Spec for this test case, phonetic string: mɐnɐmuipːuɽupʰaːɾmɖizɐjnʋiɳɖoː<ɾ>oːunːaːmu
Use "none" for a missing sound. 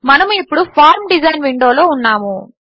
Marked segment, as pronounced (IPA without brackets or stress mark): l